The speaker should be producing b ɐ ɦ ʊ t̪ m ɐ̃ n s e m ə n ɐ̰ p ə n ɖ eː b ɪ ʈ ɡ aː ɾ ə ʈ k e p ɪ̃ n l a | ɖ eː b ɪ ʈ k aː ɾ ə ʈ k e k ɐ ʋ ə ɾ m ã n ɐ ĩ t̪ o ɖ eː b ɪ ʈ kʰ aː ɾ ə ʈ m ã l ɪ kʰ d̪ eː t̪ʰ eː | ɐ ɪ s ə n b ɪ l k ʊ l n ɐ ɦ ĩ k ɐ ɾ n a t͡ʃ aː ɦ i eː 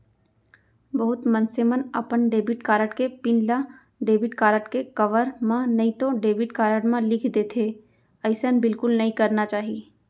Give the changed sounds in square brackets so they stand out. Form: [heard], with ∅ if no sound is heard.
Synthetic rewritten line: b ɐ ɦ ʊ t̪ m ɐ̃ n s e m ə n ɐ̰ p ə n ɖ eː b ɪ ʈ [k] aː ɾ ə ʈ k e p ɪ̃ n l a | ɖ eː b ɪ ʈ k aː ɾ ə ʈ k e k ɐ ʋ ə ɾ m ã n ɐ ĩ t̪ o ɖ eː b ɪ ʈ [k] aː ɾ ə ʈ m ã l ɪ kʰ d̪ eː t̪ʰ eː | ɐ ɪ s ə n b ɪ l k ʊ l n ɐ ɦ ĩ k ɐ ɾ n a t͡ʃ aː ɦ i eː